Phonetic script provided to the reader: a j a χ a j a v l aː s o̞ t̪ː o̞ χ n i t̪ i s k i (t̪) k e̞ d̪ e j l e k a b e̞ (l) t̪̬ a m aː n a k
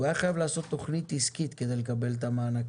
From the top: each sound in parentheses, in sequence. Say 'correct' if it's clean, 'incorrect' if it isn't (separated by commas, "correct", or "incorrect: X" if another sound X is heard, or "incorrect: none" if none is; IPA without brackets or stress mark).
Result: correct, correct